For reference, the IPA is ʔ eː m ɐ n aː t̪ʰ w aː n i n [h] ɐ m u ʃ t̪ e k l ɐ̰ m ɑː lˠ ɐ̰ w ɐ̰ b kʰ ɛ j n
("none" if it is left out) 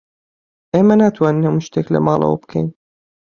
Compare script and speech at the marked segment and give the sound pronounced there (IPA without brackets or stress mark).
h